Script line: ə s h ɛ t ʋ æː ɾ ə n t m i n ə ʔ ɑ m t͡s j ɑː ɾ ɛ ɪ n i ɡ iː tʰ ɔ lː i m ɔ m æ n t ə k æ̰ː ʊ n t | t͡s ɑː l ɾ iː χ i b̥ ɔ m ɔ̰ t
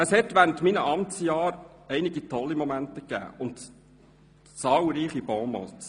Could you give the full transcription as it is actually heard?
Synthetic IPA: ə s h ɛ t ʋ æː ɾ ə n t m i n ə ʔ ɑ m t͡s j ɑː ɾ ɛ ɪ n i ɡ i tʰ ɔ lː i m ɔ m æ n t ə k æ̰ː ʊ n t | t͡s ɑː l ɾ iː χ i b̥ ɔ m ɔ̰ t

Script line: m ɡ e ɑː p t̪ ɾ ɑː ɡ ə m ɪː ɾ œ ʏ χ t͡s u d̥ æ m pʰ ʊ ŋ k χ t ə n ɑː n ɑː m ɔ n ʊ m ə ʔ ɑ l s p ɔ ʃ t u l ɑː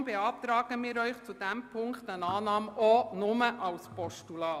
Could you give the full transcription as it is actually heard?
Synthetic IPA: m b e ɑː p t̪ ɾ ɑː ɡ ə m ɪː ɾ œ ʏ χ t͡s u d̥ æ m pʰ ʊ ŋ k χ t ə n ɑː n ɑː m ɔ n ʊ m ə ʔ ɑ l s p ɔ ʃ t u l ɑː

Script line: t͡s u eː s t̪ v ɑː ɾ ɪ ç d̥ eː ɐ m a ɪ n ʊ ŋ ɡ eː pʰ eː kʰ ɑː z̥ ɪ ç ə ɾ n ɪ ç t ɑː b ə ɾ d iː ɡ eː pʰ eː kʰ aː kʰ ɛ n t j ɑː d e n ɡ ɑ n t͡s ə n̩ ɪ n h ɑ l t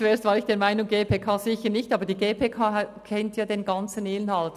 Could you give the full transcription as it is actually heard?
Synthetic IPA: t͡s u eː s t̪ v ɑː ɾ ɪ ç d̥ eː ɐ m a ɪ n ʊ ŋ ɡ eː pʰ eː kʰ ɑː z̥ ɪ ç ə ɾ n ɪ ç t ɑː b ə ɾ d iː ɡ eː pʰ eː kʰ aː kʰ ɛ n t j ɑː d e n ɡ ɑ n t͡s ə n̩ ɪ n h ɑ l t

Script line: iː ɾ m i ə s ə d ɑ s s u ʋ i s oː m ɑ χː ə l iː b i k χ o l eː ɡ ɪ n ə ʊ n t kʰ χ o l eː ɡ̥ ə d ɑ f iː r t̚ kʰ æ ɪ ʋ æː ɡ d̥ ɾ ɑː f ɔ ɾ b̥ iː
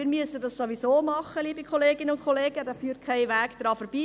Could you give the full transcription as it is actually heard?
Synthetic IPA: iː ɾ m y ə s ə d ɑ s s o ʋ i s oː m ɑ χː ə l iː b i k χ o l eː ɡ ɪ n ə ʊ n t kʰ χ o l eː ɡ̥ ə d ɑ f yː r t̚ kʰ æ ɪ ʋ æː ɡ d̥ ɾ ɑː f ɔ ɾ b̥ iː

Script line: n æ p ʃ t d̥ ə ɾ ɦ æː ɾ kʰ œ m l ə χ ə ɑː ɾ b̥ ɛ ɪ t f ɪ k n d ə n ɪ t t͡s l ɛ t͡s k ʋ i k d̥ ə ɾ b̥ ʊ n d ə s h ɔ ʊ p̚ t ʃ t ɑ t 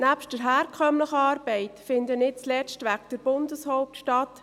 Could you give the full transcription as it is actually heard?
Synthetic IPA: n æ p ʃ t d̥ ə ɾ ɦ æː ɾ kʰ œ m l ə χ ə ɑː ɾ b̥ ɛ ɪ t f ɪ n d ə n ɪ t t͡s l ɛ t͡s t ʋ æ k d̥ ə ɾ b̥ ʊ n d ə s h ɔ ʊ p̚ t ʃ t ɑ t

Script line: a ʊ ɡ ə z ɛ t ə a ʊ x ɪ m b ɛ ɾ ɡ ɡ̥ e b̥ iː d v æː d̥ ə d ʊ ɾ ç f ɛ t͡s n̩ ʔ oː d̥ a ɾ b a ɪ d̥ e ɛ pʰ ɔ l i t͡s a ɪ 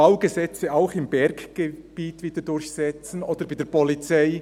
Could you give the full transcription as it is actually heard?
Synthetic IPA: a ʊ ɡ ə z ɛ t͡s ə a ʊ x ɪ m b ɛ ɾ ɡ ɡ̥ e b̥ iː t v iː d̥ ə d ʊ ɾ ç s ɛ t͡s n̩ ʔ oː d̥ ə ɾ b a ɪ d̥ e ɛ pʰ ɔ l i t͡s a ɪ

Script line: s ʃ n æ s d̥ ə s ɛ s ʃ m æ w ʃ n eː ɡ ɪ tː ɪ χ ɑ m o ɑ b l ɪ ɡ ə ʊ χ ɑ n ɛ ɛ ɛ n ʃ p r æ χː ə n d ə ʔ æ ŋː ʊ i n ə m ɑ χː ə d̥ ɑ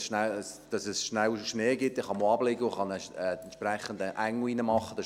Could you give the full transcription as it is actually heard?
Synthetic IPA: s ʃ n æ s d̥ ɑ s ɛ s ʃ n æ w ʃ n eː ɡ ɪ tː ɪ χ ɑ m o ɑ b l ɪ ɡ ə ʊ χ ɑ n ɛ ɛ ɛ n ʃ p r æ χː ə n d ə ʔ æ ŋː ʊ i n ə m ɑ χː ə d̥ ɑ

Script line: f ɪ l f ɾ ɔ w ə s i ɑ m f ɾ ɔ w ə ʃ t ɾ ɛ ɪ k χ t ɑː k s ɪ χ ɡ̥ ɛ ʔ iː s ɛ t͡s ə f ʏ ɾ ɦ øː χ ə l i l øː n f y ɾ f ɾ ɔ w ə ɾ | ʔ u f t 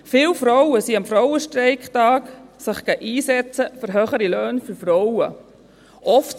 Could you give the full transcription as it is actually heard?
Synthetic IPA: f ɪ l f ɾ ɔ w ə s i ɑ m f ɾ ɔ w ə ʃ t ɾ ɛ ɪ k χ t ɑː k s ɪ χ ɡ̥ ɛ ʔ iː s ɛ t͡s ə f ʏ ɾ ɦ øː χ ə ɾ i l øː n f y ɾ f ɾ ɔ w ə | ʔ ɔ f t

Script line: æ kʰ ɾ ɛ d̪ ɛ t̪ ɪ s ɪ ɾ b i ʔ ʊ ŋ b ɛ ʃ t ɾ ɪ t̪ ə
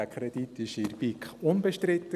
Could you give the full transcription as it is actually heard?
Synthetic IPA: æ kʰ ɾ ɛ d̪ i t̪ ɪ ʃ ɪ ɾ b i k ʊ n b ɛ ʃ t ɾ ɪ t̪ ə

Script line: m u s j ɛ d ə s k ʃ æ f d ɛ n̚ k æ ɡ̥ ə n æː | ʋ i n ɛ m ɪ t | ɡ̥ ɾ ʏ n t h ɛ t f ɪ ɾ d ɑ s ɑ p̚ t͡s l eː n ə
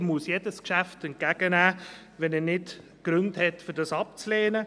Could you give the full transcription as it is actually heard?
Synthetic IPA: m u s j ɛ d ə s k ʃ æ f t ɛ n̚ k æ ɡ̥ ə n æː | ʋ ɛ n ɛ n ɪ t | ɡ̥ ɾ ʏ n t h ɛ t f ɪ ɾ d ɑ s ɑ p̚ t͡s l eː n ə

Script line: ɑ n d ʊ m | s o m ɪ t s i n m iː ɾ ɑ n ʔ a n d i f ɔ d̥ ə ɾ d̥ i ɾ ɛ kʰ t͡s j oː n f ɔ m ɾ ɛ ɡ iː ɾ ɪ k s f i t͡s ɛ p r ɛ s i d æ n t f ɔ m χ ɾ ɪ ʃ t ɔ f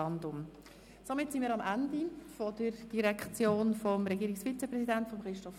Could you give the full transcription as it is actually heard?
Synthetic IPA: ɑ n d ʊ m | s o m ɪ t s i n m iː ɾ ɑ m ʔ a n d i f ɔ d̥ ə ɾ d̥ i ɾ ɛ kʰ t͡s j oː n f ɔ m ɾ ɛ ɡ iː ɾ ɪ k s f i t͡s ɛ p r ɛ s i d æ n t f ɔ m χ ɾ ɪ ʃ t ɔ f

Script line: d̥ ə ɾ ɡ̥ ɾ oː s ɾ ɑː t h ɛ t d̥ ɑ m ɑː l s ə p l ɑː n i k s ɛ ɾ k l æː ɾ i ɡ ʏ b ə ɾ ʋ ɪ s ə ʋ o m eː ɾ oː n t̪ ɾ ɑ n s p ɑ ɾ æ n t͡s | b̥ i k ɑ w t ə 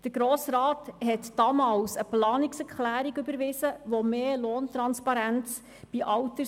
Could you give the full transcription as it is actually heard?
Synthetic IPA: d̥ ə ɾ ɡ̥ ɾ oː s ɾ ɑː t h ɛ t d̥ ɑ m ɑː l s ə p l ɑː n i k s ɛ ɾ k l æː ɾ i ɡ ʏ b ə ɾ ʋ ɪ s ə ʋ o m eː l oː n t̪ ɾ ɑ n s p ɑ ɾ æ n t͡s | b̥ i ʔ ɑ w t ə

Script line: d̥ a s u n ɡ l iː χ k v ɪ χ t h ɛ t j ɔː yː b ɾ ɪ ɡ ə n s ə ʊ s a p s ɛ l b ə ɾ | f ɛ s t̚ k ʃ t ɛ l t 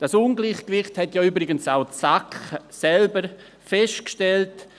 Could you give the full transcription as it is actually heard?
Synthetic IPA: d̥ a s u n ɡ l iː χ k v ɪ χ t h ɛ t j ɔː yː b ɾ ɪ ɡ ə n s a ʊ s a k s ɛ l b ə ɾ | f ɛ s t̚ k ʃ t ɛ l t

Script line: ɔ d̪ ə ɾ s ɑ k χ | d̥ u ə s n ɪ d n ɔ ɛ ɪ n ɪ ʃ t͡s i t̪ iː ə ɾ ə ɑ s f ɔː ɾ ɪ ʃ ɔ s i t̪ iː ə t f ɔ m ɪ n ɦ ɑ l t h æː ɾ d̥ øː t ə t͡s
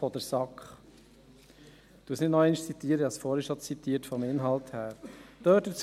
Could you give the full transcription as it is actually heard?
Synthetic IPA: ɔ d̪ ə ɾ s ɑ k χ | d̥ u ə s n ɪ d n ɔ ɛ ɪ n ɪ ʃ t͡s i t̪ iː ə ɾ ə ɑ s f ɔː ɾ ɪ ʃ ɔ t͡s i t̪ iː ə t f ɔ m ɪ n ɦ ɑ l t h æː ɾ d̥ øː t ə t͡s

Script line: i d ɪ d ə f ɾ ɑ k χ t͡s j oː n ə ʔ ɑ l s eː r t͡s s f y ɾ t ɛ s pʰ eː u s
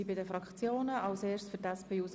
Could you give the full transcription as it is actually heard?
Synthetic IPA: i b ɪ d ə f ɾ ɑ k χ t͡s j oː n ə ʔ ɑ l s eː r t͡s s f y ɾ t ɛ s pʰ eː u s

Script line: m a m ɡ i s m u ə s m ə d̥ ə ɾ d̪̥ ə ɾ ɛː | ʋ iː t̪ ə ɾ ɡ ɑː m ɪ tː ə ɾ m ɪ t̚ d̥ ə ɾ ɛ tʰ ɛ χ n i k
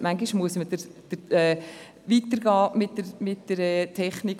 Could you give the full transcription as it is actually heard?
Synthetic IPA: m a ŋ ɡ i ʃ m u ə s m ə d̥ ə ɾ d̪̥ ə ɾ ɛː | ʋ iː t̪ ə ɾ ɡ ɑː m ɪ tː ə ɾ m ɪ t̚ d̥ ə ɾ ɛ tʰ ɛ χ n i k

